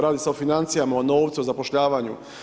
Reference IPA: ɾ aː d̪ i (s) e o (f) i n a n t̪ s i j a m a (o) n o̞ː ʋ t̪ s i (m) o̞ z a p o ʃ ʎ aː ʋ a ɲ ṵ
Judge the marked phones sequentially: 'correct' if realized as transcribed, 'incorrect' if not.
correct, correct, correct, incorrect: none

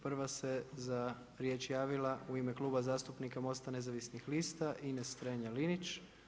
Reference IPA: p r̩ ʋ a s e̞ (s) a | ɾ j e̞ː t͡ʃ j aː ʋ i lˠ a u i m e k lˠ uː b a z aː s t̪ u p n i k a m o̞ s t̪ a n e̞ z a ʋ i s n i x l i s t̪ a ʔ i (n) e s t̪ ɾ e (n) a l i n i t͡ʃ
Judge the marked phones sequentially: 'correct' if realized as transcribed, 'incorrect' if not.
incorrect: z, correct, incorrect: ɲ

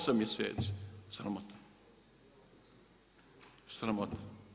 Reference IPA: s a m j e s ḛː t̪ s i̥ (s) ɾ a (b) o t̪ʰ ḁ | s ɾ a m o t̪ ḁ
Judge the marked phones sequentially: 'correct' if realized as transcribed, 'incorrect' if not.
correct, incorrect: m

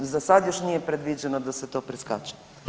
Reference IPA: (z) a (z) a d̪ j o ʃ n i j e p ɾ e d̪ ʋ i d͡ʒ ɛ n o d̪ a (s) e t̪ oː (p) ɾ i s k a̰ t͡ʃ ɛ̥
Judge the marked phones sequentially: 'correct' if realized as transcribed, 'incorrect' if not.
correct, incorrect: s, correct, correct

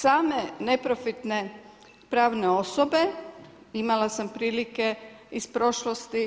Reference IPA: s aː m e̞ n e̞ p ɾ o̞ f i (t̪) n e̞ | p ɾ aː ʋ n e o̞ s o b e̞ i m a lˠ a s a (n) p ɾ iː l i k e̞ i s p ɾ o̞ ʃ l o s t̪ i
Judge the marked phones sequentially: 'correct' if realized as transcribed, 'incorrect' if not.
correct, incorrect: m

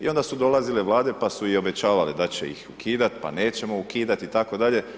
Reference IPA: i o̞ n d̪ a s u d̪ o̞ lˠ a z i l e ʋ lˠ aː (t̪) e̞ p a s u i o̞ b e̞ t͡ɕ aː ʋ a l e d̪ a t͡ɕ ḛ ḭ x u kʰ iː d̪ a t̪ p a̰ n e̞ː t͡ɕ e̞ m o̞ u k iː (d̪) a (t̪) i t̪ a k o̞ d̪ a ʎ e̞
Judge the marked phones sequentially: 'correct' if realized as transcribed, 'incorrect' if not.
incorrect: d̪, correct, correct

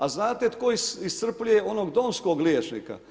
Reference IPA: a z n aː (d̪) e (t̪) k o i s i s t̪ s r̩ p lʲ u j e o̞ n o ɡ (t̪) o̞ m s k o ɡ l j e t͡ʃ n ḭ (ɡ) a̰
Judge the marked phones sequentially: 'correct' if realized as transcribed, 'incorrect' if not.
incorrect: t̪, correct, incorrect: d̪, incorrect: k

